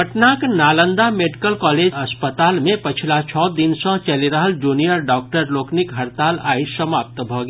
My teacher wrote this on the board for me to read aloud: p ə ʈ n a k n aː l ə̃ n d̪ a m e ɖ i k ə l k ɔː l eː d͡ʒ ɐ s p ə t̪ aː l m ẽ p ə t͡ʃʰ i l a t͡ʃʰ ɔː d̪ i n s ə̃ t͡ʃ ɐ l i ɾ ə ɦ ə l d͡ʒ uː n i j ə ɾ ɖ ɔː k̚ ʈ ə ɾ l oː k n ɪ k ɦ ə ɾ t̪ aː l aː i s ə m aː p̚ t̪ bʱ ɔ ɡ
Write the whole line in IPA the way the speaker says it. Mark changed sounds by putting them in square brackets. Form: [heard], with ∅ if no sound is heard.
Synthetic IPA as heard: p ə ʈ n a k n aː l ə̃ n d̪ a m e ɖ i k ə l k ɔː l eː d͡ʒ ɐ s p ə t̪ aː l m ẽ p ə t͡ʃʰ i l a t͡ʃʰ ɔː d̪ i n s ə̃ t͡ʃ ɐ l i ɾ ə ɦ ə l d͡ʒ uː n i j ə ɾ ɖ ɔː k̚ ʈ ə ɾ l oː k n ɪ k ɦ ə ɾ t̪ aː l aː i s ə m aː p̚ t̪ bʱ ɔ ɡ